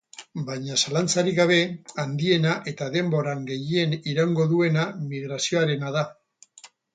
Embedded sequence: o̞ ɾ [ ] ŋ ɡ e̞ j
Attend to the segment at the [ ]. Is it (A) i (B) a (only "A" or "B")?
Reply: B